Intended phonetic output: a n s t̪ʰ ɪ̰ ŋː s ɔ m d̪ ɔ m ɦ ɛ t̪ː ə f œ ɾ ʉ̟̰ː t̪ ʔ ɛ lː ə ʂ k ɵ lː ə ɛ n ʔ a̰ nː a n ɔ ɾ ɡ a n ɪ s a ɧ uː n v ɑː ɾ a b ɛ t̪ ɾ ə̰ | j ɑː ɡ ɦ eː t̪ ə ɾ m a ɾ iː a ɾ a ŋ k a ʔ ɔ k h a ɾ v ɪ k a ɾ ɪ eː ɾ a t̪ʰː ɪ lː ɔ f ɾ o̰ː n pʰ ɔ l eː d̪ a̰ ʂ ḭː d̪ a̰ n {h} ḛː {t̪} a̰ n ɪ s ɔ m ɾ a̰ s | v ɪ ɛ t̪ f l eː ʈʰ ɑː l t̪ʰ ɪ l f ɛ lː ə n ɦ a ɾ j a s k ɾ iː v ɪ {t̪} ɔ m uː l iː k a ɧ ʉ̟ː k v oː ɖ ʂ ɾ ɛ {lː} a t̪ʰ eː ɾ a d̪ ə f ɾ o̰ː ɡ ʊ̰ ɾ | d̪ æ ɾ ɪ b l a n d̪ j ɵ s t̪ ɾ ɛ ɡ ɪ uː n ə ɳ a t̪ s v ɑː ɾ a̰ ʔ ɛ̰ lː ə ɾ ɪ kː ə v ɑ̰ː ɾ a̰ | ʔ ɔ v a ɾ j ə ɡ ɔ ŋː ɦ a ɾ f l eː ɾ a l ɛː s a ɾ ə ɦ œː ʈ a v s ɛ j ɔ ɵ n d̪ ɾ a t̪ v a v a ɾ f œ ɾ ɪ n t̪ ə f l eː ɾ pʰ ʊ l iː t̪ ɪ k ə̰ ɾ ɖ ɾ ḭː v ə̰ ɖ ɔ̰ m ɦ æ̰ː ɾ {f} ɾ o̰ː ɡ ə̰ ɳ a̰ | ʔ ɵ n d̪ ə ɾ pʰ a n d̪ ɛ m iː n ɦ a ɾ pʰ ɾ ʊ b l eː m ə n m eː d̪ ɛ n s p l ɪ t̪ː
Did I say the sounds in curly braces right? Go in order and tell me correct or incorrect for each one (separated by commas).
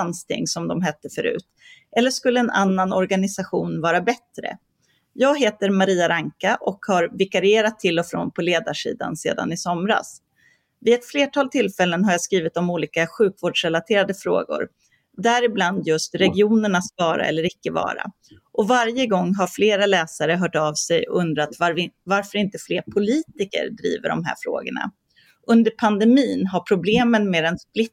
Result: incorrect, incorrect, correct, incorrect, correct